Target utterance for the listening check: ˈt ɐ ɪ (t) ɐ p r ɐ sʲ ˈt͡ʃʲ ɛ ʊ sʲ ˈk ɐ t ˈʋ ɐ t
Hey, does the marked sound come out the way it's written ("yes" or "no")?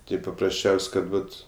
no